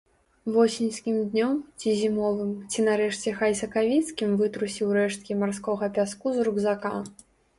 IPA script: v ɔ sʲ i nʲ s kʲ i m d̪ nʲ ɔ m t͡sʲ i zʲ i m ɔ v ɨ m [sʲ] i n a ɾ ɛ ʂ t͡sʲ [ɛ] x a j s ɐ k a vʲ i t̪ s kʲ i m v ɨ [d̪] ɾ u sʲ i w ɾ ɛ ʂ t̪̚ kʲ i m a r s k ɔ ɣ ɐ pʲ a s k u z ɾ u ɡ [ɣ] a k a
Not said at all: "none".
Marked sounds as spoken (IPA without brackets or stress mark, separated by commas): t͡sʲ, ɛ, t̪, z